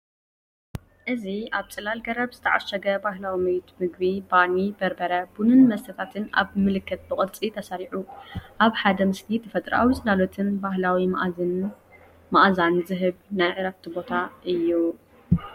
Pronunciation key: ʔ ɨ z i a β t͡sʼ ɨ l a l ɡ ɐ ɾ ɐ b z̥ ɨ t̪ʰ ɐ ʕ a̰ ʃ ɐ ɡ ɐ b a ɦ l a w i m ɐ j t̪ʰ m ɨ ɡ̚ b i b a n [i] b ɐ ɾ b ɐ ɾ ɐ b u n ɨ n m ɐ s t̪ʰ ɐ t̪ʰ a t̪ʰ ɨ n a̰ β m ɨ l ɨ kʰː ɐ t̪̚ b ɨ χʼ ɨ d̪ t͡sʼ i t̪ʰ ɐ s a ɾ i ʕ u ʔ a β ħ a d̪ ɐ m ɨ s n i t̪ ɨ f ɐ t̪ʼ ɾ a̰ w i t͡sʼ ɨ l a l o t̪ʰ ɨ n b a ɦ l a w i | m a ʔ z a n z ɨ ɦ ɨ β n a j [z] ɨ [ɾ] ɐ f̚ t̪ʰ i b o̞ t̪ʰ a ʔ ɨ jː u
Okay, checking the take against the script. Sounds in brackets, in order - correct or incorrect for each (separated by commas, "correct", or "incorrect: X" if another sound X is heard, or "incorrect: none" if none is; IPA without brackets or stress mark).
correct, incorrect: ʕ, correct